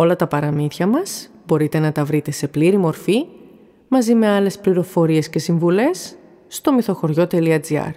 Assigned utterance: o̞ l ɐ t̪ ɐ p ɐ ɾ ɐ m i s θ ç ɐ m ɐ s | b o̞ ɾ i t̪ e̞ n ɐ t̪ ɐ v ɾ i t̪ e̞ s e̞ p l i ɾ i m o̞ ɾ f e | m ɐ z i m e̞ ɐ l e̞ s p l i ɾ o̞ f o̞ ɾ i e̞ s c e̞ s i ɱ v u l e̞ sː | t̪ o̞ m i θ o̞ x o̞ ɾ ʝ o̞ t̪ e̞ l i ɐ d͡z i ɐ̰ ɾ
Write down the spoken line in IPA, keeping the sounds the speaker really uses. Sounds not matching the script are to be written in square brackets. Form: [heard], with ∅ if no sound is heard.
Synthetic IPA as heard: o̞ l ɐ t̪ ɐ p ɐ ɾ ɐ m i [∅] θ ç ɐ m ɐ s | b o̞ ɾ i t̪ e̞ n ɐ t̪ ɐ v ɾ i t̪ e̞ s e̞ p l i ɾ i m o̞ ɾ f [i] | m ɐ z i m e̞ ɐ l e̞ s p l i ɾ o̞ f o̞ ɾ i e̞ s c e̞ s i ɱ v u l e̞ sː | t̪ o̞ m i θ o̞ x o̞ ɾ ʝ o̞ t̪ e̞ l i ɐ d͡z i ɐ̰ ɾ